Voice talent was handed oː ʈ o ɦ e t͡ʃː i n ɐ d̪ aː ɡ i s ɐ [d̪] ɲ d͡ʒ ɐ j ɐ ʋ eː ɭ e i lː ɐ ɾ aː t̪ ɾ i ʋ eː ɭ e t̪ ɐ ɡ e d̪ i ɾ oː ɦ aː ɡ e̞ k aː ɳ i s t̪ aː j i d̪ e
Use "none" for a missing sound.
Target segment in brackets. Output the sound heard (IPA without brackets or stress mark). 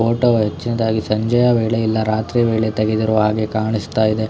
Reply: none